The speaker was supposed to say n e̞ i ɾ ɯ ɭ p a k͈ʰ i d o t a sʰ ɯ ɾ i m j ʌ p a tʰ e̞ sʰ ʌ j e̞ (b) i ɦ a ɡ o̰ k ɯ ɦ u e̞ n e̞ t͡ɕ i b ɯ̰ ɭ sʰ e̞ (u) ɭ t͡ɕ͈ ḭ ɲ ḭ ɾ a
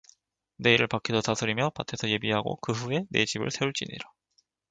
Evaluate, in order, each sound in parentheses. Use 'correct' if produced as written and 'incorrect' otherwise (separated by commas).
correct, correct